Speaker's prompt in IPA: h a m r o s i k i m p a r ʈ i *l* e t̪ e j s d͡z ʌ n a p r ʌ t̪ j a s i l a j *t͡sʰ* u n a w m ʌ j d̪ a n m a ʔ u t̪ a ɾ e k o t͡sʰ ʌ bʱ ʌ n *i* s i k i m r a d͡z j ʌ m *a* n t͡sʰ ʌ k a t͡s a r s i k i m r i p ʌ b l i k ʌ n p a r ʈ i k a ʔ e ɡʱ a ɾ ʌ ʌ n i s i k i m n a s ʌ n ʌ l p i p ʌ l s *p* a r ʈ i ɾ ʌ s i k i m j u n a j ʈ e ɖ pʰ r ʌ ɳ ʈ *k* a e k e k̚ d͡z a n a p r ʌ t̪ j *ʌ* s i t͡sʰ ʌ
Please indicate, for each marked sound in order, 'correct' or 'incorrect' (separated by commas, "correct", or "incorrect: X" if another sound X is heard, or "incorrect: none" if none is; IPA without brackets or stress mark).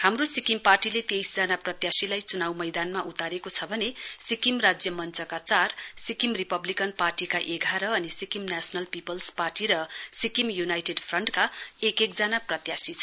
correct, incorrect: t͡s, incorrect: e, incorrect: ʌ, correct, correct, incorrect: a